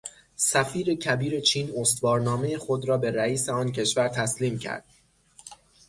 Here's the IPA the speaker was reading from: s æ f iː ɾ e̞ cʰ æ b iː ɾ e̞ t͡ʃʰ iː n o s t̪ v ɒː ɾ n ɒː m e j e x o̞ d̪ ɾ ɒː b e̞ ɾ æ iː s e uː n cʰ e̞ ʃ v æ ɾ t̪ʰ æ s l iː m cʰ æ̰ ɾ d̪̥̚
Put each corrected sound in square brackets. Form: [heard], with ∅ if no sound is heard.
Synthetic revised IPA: s æ f iː ɾ e̞ cʰ æ b iː ɾ e̞ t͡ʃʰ iː n o s t̪ v ɒː ɾ n ɒː m e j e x o̞ d̪ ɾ ɒː b e̞ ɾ æ iː s e [ɒː] n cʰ e̞ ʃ v æ ɾ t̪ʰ æ s l iː m cʰ æ̰ ɾ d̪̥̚